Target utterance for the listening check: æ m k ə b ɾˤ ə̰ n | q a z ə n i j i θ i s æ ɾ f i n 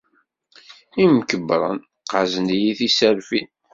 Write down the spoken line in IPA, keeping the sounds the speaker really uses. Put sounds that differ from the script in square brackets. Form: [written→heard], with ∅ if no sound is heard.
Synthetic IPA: [æ→i] m k ə b ɾˤ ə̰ n | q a z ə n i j i θ i s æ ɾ f i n